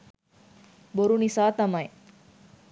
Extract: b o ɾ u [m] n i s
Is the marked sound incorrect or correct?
incorrect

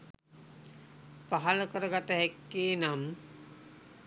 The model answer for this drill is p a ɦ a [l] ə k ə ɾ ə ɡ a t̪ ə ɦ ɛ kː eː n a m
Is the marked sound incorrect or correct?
correct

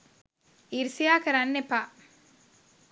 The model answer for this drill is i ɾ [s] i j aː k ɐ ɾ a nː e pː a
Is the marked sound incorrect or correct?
correct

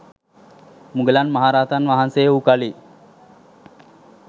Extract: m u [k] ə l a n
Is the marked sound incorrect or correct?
incorrect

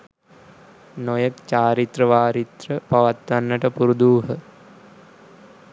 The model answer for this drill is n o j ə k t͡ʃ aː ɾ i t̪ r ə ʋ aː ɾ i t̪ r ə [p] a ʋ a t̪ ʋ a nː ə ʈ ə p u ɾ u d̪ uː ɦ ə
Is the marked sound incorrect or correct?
correct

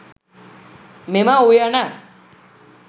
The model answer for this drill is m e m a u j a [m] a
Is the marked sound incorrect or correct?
incorrect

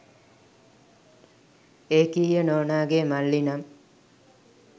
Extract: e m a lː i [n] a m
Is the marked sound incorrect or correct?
correct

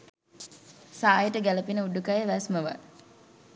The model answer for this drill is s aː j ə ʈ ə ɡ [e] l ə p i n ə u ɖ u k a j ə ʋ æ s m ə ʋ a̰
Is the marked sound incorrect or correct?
incorrect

